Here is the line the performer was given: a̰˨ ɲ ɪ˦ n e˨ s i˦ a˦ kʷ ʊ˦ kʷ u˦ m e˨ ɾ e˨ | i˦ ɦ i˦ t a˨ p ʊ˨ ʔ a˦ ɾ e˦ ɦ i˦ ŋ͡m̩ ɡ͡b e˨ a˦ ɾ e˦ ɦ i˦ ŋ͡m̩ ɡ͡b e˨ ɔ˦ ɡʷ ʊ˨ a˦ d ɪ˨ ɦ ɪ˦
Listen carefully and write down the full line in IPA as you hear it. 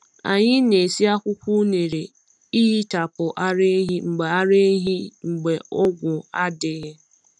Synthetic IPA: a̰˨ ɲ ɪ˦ n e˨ s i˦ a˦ kʷ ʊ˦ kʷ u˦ n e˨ ɾ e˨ | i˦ ɦ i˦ t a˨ p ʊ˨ ʔ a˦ ɾ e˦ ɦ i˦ ŋ͡m̩ ɡ͡b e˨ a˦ ɾ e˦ ɦ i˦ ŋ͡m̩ ɡ͡b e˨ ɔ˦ ɡʷ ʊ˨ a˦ d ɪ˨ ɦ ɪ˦